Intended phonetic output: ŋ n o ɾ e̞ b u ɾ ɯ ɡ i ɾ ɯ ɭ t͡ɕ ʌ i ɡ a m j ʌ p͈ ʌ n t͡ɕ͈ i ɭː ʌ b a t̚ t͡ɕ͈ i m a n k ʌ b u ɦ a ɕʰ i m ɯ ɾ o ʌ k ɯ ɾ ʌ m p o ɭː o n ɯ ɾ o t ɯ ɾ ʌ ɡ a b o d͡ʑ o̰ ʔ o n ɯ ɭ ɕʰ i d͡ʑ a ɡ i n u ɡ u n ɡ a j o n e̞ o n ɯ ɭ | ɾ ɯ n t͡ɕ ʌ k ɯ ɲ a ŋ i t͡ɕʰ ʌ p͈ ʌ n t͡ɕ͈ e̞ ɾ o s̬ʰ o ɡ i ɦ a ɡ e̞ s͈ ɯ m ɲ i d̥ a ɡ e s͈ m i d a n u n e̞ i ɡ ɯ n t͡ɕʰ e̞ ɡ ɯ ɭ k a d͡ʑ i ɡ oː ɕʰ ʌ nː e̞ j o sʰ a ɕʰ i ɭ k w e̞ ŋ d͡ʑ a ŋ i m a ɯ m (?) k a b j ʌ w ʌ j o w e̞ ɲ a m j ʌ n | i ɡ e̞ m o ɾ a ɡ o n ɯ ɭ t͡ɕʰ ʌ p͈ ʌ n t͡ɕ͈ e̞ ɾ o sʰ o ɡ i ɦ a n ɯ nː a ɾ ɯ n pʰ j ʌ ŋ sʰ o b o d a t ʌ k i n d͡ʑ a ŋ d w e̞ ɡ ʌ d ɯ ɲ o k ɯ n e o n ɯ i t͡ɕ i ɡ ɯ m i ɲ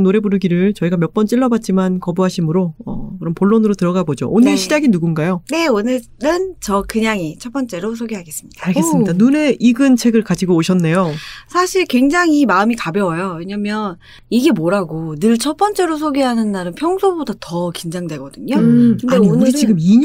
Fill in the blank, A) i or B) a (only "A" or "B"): A